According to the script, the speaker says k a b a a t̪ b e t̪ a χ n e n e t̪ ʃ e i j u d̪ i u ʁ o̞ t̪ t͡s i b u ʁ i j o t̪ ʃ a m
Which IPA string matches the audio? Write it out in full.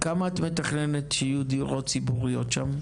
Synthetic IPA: k a m a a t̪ m e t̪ a χ n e n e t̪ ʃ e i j u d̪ i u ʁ o̞ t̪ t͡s i b u ʁ i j o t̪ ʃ a m

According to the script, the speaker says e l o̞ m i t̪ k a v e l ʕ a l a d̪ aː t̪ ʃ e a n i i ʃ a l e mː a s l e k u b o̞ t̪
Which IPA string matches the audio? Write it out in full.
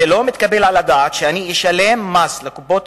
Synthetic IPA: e l o̞ m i t̪ k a b e l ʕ a l a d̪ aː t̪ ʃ e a n i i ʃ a l e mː a s l e k u b o̞ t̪

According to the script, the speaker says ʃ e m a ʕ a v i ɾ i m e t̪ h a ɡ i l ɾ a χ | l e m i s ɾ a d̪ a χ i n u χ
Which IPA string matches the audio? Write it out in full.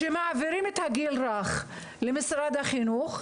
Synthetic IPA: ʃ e m a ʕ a v i ɾ i m e t̪ h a ɡ i l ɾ a χ | l e m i s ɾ a d̪ a χ i n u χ

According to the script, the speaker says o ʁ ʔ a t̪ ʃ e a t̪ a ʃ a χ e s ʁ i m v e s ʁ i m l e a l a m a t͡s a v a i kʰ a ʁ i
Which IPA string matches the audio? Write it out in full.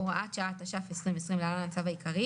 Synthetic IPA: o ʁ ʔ a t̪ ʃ a a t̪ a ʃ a f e s ʁ i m v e s ʁ i m l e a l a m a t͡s a v a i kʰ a ʁ i

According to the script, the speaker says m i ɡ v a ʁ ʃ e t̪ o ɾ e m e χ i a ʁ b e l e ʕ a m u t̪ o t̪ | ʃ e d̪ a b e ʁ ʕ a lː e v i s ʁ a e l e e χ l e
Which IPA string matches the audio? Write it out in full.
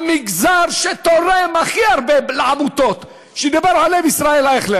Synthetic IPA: m i ɡ z a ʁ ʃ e t̪ o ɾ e m a χ i a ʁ b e l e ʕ a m u t̪ o t̪ | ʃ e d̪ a b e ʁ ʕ a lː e v i s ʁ a e l a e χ l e

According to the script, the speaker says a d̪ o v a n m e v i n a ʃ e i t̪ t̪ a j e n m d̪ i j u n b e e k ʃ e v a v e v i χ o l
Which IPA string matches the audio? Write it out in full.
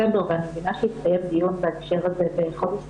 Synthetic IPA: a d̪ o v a n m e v i n a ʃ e i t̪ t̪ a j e m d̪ i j u n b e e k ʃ e ʁ a z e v e χ o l

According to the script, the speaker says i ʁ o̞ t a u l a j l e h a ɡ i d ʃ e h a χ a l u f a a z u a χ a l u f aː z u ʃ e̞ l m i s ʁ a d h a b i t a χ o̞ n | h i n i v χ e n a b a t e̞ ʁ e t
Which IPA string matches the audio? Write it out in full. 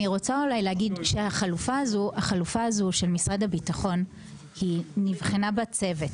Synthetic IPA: i ʁ o̞ t͡s a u l a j l e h a ɡ i d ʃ e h a χ a l u f a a z u a χ a l u f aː z u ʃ e̞ l m i s ʁ a d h a b i t a χ o̞ n | h i n i v χ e n a b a t͡s e̞ v e t

